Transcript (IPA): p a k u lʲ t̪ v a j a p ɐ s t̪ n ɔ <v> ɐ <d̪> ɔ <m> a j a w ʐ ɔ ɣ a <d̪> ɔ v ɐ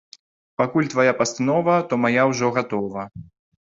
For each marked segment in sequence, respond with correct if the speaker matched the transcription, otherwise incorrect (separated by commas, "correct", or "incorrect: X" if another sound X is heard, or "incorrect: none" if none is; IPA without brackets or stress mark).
correct, incorrect: t̪, correct, incorrect: t̪